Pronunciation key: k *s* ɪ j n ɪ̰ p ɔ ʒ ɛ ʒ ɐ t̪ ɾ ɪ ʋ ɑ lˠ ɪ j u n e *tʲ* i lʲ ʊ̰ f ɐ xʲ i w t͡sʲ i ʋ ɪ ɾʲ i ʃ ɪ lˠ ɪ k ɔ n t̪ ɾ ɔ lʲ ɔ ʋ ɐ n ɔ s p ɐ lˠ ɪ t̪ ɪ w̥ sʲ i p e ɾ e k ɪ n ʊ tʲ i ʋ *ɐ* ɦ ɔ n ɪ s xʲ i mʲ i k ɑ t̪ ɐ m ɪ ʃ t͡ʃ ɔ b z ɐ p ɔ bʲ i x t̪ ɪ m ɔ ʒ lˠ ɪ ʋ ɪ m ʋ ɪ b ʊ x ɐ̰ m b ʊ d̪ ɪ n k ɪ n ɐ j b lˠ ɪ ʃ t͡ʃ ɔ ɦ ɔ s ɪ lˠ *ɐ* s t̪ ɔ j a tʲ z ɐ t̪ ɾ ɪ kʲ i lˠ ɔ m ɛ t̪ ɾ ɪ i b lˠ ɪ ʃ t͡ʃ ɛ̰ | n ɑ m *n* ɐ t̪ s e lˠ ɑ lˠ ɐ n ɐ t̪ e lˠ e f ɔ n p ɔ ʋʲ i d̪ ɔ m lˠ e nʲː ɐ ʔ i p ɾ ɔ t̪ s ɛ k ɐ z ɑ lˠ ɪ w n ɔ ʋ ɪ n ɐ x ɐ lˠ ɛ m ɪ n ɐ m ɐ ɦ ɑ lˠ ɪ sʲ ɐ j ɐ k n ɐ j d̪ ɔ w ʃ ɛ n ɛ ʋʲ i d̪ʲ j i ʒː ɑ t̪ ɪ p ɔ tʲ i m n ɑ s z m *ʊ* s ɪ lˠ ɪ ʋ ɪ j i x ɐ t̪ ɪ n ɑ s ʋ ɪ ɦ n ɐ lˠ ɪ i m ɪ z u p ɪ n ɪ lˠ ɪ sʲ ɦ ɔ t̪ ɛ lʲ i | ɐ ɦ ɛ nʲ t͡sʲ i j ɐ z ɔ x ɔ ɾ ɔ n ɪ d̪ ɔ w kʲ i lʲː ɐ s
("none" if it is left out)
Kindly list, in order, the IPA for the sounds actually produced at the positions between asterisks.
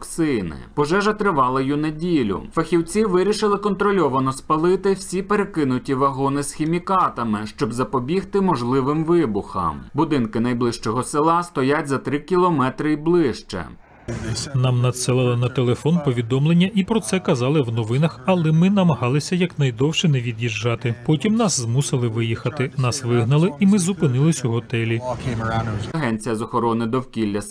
s, dʲ, ɐ, ɑ, n, u

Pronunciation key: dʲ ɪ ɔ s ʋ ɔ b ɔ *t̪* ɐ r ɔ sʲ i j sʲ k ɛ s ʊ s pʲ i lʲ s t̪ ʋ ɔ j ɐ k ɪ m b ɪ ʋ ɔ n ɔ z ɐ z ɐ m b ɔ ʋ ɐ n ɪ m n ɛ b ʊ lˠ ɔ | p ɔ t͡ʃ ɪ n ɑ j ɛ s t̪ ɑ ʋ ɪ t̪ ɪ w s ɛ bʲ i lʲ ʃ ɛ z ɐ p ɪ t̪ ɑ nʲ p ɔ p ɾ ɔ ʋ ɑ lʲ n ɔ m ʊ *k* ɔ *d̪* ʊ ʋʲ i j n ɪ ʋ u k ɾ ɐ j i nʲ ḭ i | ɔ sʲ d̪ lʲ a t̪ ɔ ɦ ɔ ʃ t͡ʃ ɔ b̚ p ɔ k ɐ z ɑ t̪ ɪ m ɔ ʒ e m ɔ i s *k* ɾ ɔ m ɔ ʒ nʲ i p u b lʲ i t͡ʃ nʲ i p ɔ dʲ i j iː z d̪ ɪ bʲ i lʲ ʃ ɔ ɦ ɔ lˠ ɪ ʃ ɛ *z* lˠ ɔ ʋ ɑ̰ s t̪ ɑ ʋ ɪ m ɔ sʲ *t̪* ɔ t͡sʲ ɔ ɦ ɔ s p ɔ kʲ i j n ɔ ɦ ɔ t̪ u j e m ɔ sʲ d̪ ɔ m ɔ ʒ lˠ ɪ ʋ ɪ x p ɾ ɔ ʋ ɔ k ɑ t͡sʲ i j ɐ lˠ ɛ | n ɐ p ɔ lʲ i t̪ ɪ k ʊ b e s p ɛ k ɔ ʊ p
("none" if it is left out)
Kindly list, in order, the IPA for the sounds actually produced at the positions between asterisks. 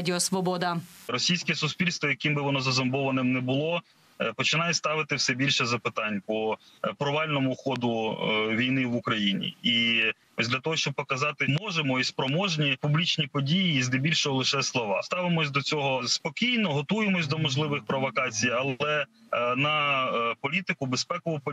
d̪, x, d̪, p, s, d̪

